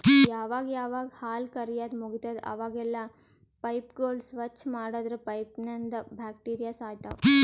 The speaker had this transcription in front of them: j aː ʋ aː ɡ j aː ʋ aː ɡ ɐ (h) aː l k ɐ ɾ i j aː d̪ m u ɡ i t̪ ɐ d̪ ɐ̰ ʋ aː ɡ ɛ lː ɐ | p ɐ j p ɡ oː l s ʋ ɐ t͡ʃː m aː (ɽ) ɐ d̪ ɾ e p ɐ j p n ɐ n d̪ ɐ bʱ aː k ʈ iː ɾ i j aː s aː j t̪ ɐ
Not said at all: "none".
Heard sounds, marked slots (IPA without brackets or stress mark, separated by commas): h, ɽ